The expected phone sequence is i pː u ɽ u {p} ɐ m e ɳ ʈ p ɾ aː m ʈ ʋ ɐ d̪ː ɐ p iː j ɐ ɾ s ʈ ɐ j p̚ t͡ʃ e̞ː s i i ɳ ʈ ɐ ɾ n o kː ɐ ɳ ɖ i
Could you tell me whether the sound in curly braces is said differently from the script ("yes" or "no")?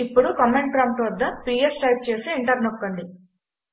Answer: yes